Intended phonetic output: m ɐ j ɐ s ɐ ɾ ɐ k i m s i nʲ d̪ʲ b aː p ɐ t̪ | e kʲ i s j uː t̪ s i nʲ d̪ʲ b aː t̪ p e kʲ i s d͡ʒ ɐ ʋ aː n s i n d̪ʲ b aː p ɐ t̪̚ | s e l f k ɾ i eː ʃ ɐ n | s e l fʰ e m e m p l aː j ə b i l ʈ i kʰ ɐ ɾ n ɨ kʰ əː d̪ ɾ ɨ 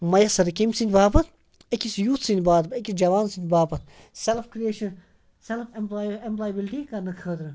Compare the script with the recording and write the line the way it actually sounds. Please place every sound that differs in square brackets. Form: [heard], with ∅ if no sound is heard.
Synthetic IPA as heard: m ɐ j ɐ s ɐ ɾ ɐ k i m s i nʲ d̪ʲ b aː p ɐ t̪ | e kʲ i s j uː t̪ s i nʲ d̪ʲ b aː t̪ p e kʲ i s d͡ʒ ɐ ʋ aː n s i n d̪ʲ b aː p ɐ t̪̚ | s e l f k ɾ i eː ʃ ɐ n | s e l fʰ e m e m p l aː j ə b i l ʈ i [k] ɐ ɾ n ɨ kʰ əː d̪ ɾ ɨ